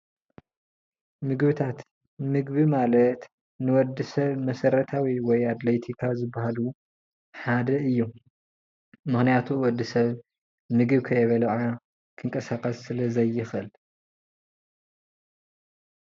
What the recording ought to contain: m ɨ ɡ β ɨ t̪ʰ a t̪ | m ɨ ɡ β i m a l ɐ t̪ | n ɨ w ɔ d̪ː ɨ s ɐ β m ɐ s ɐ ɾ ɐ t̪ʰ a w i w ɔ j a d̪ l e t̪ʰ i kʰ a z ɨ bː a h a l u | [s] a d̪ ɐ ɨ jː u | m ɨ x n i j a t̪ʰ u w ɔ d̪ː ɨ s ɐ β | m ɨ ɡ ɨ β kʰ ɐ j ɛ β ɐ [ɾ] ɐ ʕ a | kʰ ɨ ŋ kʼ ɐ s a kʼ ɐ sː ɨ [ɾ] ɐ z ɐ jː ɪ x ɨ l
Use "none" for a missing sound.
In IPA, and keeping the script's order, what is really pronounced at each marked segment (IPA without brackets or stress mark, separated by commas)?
ħ, l, l